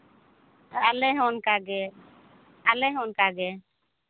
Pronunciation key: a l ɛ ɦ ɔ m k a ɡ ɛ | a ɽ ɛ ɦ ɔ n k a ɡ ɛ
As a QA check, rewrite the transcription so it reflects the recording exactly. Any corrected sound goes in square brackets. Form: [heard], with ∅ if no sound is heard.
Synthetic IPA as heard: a l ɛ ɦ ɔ [n] k a ɡ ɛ | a [l] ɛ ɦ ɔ n k a ɡ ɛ